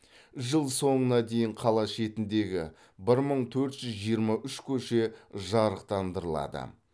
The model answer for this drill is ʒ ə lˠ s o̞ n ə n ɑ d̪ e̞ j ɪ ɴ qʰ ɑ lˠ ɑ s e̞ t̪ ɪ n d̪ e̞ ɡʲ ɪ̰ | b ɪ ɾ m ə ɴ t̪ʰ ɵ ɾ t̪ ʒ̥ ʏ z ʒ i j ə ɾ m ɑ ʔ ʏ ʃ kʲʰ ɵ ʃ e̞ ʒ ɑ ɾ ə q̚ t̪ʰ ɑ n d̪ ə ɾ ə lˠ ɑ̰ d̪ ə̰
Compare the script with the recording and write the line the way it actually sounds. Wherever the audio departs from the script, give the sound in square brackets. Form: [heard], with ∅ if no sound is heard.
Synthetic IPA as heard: ʒ ə lˠ s o̞ [ɴ] ə n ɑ d̪ e̞ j ɪ ɴ qʰ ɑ lˠ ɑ [ʃ] e̞ t̪ ɪ n d̪ e̞ ɡʲ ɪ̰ | b ɪ ɾ m ə ɴ t̪ʰ ɵ ɾ t̪ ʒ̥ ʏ z ʒ i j ə ɾ m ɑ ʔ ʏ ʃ kʲʰ ɵ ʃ e̞ ʒ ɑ ɾ ə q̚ [t̪] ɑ n d̪ ə ɾ ə lˠ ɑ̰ d̪ ə̰